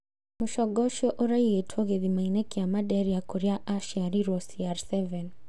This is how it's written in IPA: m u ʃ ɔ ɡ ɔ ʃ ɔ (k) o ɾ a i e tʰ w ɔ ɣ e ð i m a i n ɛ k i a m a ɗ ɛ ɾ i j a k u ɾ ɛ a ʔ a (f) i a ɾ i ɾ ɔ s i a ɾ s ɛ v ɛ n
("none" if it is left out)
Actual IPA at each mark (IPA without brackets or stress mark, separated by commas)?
ʔ, ʃ